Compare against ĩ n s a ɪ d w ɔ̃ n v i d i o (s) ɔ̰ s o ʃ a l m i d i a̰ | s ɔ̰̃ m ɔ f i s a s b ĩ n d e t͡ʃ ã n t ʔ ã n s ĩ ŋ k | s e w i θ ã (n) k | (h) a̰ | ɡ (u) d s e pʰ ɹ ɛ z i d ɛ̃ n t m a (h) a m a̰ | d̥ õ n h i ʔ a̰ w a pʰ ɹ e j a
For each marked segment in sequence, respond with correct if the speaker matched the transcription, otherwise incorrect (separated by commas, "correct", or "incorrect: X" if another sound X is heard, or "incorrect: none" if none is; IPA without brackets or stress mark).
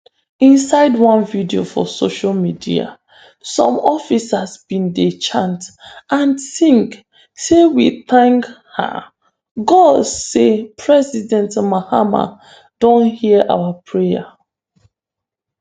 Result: incorrect: f, incorrect: ŋ, correct, incorrect: ɔ, correct